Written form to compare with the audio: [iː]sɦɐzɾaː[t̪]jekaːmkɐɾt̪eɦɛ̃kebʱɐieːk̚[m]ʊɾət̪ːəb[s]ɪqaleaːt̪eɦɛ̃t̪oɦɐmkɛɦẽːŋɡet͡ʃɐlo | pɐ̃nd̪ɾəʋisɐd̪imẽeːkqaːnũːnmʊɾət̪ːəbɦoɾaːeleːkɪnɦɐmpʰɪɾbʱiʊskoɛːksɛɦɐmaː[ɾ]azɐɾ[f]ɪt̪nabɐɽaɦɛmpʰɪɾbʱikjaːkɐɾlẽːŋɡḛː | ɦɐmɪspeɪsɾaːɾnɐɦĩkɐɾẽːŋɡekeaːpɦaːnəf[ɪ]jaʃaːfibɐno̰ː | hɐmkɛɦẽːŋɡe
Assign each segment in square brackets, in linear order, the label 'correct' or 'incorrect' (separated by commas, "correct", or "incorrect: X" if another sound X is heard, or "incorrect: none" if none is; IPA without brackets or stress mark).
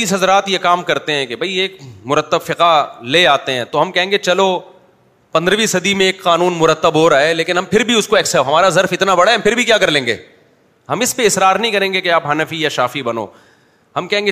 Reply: correct, correct, correct, incorrect: f, correct, correct, incorrect: i